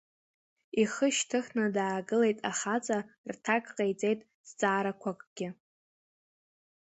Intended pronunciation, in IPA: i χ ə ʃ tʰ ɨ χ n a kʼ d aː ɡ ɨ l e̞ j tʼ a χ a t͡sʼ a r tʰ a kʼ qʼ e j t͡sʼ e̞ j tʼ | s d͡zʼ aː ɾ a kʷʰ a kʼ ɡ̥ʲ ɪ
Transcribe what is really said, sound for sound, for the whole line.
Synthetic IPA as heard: i χ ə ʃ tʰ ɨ χ n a d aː ɡ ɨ l e̞ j tʼ a χ a t͡sʼ a r tʰ a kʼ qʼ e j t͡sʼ e̞ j tʼ | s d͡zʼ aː ɾ a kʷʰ a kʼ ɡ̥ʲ ɪ